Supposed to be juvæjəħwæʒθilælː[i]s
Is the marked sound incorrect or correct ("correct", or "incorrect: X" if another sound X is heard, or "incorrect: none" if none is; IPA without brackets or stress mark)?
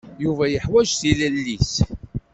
correct